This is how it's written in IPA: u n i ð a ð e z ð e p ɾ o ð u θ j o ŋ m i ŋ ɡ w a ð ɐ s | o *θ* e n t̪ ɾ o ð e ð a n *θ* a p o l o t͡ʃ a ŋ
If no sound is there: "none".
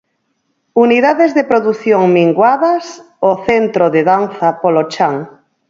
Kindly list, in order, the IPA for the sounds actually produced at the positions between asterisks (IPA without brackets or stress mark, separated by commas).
θ, θ